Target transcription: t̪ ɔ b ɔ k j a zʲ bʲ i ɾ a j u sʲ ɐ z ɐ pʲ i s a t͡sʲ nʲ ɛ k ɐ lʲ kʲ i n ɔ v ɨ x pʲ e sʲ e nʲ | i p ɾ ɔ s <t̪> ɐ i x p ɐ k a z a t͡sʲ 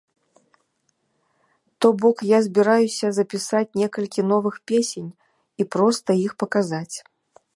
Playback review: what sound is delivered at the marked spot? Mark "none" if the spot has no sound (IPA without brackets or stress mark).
t̪